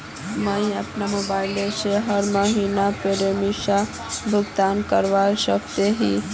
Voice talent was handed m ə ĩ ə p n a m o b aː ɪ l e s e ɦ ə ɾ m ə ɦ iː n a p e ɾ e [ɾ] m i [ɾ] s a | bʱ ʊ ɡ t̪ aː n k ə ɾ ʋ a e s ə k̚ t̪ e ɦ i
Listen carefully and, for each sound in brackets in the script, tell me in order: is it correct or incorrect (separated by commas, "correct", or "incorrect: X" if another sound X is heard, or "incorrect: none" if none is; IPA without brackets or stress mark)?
incorrect: none, incorrect: none